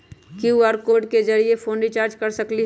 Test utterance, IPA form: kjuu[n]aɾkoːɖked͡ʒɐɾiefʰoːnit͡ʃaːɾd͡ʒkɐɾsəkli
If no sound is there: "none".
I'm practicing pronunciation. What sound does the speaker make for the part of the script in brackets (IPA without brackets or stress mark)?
none